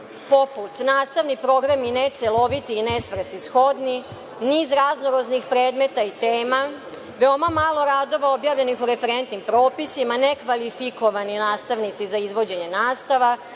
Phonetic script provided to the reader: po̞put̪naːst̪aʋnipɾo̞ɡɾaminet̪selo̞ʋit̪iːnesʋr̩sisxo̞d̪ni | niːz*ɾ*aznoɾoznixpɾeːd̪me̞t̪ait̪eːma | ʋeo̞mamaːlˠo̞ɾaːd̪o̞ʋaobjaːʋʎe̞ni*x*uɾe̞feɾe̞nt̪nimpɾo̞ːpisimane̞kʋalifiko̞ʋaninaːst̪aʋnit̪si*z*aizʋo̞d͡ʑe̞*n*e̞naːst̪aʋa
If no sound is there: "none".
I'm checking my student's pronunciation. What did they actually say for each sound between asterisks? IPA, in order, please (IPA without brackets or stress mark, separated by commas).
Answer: ɾ, x, z, ɲ